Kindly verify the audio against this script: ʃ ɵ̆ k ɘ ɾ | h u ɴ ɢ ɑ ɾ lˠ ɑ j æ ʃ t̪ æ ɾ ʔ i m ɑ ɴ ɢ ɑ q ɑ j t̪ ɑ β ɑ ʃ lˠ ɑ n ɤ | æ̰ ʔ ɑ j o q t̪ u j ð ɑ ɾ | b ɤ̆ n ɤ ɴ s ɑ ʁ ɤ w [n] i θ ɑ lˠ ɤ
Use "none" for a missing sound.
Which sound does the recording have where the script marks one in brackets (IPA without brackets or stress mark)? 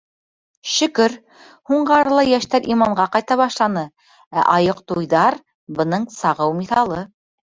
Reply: m